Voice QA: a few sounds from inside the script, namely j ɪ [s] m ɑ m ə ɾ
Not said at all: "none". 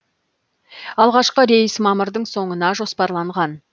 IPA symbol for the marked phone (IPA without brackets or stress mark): s